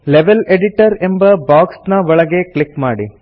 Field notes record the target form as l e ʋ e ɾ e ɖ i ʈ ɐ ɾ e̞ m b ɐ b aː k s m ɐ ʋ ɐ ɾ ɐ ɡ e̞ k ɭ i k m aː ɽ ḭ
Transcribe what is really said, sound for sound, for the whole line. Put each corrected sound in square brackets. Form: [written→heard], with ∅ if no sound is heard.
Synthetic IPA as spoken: l e ʋ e [ɾ→l] e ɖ i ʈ ɐ ɾ e̞ m b ɐ b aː k s [m→n] ɐ ʋ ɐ [ɾ→ɭ] ɐ ɡ e̞ k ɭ i k m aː ɽ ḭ